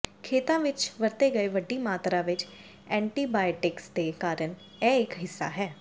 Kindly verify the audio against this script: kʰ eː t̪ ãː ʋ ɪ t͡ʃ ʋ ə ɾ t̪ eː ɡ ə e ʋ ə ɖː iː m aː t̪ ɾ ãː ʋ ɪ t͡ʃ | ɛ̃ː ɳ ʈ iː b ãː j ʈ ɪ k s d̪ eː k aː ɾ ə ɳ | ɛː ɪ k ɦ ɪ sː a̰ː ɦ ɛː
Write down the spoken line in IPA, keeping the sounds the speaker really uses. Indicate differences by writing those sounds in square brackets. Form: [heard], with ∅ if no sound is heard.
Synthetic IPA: kʰ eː t̪ ãː ʋ ɪ t͡ʃ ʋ ə ɾ t̪ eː ɡ ə e ʋ ə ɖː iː m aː t̪ ɾ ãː ʋ ɪ t͡ʃ | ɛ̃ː ɳ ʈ iː b [aː] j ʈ ɪ k s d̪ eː k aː ɾ ə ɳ | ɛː ɪ k ɦ ɪ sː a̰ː ɦ ɛː